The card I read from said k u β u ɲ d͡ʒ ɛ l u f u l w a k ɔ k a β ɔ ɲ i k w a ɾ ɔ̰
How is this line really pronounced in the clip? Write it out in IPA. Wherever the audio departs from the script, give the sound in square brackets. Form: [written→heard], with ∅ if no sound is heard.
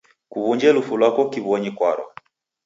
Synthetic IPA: k u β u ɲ d͡ʒ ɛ l u f u l w a k ɔ k [a→i] β ɔ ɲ i k w a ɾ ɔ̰